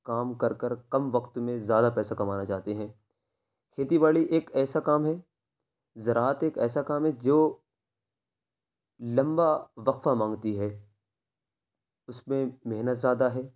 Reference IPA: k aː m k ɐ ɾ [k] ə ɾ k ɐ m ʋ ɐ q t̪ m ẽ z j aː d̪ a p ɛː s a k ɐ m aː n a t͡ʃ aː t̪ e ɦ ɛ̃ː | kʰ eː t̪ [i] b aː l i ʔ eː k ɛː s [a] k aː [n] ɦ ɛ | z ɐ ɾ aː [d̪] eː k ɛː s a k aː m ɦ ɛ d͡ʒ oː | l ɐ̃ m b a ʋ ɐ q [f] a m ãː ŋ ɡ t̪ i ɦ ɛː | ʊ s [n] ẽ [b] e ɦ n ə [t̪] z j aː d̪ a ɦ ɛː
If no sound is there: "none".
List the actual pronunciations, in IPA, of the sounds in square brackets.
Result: k, i, a, m, t̪, f, m, m, t̪

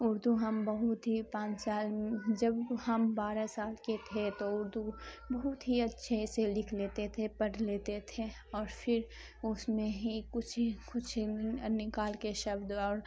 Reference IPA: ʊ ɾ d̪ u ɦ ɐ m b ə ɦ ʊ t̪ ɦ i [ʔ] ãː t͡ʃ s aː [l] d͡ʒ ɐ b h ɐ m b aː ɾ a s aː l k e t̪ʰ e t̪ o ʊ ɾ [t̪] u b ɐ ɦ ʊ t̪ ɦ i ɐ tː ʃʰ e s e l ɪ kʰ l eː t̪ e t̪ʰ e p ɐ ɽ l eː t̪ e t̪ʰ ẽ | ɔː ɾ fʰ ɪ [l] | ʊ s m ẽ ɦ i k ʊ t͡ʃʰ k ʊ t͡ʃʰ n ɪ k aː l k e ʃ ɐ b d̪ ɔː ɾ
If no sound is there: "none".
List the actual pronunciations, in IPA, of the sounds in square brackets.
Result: p, l, d̪, ɾ

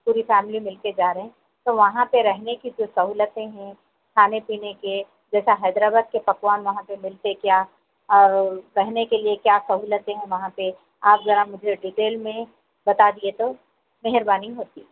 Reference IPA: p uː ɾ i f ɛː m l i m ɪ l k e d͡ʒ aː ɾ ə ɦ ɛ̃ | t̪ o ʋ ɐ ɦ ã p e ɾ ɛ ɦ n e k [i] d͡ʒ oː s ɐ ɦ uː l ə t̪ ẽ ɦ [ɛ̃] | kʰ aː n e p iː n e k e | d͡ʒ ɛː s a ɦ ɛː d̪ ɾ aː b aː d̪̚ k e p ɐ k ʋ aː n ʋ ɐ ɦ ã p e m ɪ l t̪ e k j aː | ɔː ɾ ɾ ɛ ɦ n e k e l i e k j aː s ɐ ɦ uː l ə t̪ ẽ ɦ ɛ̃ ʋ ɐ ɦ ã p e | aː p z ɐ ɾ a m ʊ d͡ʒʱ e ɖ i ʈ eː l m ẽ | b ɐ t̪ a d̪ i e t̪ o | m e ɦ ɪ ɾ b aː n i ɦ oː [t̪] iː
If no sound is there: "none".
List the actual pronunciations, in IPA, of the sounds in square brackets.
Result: i, ɛ̃, t̪

